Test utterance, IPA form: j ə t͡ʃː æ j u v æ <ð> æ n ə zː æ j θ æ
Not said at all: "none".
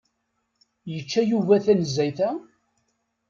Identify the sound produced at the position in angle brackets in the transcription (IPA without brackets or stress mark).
θ